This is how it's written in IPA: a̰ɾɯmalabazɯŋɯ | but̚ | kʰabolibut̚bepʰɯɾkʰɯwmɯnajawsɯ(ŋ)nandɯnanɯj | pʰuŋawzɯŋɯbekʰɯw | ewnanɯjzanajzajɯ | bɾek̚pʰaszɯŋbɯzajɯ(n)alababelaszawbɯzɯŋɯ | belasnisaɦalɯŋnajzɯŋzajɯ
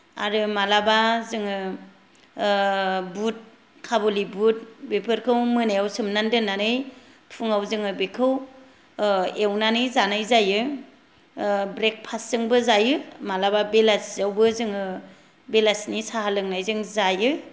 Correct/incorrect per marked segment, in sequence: incorrect, incorrect

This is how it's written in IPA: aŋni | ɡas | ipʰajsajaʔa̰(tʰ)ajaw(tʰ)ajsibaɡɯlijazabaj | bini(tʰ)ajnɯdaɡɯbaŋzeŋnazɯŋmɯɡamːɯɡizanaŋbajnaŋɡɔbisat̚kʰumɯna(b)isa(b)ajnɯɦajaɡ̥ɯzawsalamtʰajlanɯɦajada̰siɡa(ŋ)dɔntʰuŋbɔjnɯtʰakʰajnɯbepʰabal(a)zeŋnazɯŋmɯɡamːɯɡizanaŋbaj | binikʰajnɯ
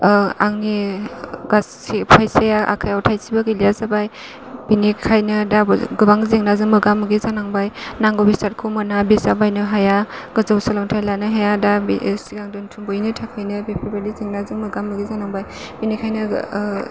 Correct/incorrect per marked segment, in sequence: incorrect, correct, incorrect, correct, correct, correct, incorrect

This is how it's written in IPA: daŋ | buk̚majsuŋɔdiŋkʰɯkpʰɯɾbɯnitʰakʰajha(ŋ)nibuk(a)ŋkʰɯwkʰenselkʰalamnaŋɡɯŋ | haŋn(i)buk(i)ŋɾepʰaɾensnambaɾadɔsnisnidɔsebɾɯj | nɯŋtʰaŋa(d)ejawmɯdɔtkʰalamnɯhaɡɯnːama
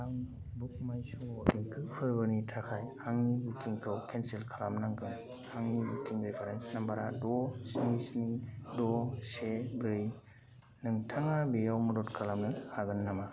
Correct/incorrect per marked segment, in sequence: correct, incorrect, correct, correct, incorrect

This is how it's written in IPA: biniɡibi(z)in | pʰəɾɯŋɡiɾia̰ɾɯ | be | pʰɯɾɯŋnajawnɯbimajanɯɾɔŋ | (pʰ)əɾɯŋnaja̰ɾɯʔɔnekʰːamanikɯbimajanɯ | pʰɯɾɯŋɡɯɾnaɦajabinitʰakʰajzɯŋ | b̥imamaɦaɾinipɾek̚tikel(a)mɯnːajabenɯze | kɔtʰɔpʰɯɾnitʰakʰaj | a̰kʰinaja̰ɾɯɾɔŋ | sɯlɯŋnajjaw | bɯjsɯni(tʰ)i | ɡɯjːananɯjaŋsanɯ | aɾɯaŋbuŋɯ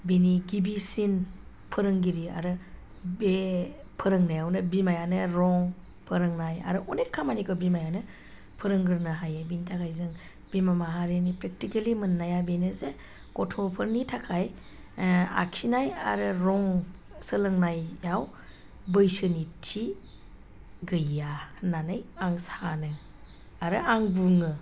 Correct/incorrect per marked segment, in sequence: incorrect, correct, incorrect, correct

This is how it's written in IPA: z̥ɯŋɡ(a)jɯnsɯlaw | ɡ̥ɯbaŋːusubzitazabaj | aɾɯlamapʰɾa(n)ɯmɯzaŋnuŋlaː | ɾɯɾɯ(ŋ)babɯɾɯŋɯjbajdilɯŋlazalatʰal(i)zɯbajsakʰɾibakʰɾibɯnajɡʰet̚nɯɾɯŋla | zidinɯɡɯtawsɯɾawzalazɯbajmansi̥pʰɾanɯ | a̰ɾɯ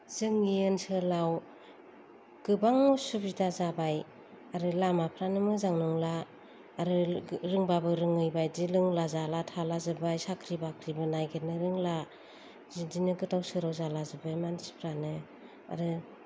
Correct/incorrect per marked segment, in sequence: incorrect, correct, correct, incorrect

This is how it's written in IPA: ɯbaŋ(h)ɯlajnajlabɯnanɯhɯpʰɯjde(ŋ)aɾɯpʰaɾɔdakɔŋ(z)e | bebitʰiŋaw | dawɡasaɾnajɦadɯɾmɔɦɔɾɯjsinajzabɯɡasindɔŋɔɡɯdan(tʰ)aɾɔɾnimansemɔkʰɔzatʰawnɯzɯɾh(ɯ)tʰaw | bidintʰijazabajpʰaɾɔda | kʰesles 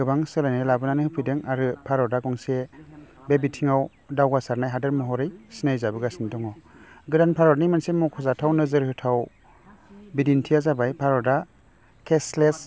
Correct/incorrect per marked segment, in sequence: incorrect, correct, incorrect, incorrect, correct

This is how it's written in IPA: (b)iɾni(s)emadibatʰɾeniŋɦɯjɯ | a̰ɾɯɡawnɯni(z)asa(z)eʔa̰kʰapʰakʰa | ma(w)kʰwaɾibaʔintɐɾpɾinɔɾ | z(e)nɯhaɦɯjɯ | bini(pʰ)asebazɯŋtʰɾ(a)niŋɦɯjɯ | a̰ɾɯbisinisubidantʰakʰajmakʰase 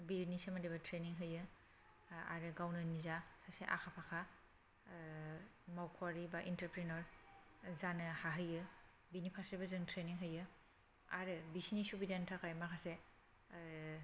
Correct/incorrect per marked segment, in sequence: correct, correct, correct, incorrect, correct, incorrect, correct, incorrect

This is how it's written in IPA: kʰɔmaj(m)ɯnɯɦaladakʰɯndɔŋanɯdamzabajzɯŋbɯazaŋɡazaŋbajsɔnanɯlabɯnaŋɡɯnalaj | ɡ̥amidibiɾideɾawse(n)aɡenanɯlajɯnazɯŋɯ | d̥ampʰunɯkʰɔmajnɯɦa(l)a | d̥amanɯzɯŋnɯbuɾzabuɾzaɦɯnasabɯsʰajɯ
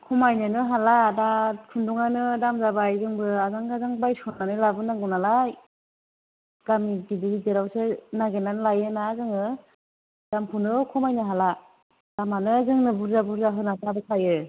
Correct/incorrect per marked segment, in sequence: incorrect, correct, correct

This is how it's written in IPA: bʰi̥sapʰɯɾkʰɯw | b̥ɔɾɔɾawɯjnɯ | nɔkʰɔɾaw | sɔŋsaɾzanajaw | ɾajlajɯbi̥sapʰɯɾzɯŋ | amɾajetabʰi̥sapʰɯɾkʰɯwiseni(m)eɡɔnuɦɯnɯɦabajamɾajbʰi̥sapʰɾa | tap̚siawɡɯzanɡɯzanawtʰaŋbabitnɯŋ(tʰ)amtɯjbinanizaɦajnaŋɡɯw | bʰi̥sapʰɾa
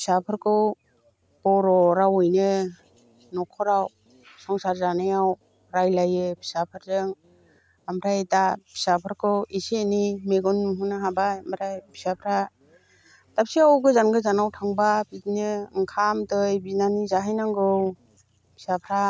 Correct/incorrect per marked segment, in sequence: correct, incorrect

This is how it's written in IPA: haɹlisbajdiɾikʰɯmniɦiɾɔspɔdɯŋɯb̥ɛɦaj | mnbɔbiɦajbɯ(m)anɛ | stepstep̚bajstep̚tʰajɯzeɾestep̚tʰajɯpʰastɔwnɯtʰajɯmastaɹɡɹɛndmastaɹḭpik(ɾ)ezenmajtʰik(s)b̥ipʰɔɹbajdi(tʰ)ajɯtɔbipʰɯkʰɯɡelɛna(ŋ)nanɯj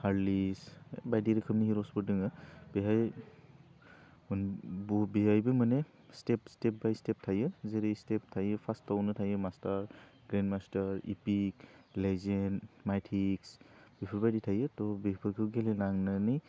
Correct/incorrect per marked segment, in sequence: correct, incorrect, correct, correct, correct

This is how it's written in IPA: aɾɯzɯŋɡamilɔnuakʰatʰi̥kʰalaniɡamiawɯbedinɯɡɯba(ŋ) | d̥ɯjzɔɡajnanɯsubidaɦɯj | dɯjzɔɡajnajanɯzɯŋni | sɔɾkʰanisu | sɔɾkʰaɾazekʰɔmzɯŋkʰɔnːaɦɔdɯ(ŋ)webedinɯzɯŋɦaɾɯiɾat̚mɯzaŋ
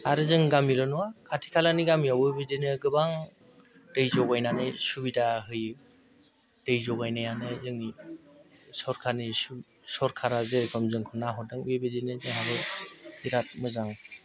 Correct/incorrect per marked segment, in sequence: correct, correct

